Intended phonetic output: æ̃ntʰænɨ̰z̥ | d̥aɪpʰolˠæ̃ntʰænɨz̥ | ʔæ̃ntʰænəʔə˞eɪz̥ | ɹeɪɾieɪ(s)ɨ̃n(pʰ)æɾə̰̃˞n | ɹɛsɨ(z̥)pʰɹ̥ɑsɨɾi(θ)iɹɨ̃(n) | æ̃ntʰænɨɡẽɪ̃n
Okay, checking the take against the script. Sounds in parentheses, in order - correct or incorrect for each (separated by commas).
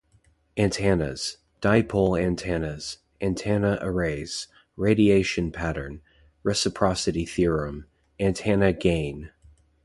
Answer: incorrect, correct, incorrect, correct, incorrect